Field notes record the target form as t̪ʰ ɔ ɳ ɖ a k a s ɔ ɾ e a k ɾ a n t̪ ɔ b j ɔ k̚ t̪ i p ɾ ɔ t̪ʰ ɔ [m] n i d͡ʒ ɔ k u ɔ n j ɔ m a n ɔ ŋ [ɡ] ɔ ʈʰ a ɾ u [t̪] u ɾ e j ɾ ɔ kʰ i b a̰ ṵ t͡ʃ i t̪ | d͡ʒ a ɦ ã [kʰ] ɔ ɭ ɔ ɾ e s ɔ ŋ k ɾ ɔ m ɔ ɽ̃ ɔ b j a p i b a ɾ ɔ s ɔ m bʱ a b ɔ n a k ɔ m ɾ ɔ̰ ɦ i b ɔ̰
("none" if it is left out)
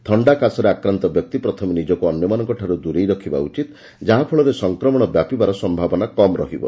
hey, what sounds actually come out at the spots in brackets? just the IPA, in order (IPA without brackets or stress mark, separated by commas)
m, k, d̪, pʰ